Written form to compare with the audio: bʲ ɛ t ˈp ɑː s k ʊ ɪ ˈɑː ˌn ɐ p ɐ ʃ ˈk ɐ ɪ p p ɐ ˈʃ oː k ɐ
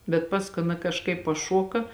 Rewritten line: bʲ ɛ t ˈp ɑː s k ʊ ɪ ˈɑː ˌn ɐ k ɐ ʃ ˈk ɐ ɪ p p ɐ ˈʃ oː k ɐ